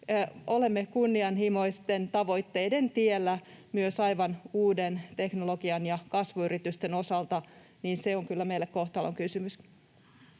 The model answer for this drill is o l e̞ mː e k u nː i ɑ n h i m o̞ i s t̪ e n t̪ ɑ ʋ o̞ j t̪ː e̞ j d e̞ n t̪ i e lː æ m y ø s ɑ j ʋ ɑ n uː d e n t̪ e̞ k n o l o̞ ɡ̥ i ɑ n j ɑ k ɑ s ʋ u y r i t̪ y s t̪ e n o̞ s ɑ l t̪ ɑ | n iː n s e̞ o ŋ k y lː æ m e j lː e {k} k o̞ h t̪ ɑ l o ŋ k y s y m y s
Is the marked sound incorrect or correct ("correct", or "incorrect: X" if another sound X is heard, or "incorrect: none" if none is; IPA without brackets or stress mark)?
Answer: correct